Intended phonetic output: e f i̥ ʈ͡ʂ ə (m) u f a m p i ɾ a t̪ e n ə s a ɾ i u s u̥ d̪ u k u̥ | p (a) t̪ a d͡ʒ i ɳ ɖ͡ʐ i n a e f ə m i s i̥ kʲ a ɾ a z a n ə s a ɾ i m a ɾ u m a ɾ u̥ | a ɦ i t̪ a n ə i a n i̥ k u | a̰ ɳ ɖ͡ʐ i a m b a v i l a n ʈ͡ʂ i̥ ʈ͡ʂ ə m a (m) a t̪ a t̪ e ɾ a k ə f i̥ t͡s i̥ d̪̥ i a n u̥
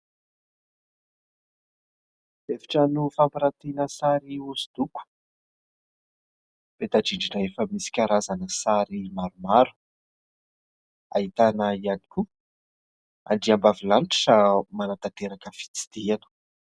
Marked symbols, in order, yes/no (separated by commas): no, no, no